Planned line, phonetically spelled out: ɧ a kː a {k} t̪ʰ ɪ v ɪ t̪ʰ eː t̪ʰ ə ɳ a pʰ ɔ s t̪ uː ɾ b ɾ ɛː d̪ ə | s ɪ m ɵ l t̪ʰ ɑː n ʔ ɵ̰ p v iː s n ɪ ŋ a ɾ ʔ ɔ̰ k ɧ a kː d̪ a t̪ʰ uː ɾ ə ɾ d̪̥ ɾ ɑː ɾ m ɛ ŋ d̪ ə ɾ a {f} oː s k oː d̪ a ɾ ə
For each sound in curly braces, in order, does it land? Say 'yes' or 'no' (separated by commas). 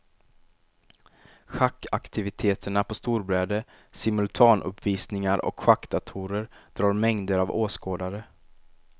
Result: yes, no